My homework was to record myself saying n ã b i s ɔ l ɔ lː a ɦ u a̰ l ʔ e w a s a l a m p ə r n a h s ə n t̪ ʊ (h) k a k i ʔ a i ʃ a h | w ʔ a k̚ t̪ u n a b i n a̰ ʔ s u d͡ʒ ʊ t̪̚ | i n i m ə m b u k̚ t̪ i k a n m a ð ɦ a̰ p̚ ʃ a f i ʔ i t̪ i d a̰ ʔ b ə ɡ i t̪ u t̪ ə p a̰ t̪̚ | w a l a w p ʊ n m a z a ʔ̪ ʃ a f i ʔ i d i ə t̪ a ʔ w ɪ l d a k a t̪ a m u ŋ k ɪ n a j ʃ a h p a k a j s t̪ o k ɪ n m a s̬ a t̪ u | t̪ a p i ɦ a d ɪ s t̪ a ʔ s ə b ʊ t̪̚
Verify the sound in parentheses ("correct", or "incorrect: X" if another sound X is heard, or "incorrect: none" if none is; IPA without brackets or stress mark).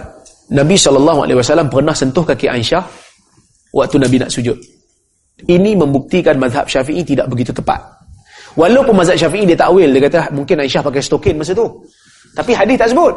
correct